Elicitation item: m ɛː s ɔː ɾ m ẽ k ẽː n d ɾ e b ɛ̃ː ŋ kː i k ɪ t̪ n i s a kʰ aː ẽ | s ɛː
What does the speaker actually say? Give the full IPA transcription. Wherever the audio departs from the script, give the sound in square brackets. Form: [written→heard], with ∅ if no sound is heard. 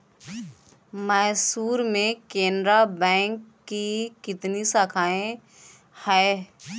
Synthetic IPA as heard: m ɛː s [ɔː→uː] ɾ m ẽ k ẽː n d ɾ [e→a] b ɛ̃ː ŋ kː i k ɪ t̪ n i s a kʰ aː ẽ | [s→h] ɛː